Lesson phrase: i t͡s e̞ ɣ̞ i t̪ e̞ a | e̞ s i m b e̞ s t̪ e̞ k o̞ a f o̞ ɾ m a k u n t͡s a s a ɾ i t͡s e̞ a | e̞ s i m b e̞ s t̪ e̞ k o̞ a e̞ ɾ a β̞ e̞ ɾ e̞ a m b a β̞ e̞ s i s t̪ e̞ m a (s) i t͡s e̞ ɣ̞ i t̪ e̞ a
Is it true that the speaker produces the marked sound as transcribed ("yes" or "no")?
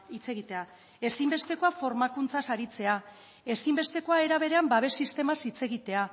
yes